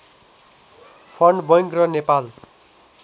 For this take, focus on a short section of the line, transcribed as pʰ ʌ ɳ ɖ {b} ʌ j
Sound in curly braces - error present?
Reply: no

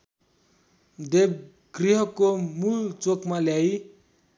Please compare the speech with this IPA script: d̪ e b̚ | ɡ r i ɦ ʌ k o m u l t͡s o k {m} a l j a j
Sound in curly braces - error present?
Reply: no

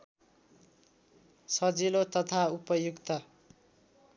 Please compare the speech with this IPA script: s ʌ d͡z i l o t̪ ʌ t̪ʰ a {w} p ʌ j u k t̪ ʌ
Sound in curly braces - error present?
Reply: yes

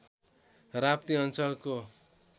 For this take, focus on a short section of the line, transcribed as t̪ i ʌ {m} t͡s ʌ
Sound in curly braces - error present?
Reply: yes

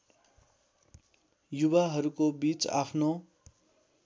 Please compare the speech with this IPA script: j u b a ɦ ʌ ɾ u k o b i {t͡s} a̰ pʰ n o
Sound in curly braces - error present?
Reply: no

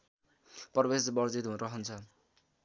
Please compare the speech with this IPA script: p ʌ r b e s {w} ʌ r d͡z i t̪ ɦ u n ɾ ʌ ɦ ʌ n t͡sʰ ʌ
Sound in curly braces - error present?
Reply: yes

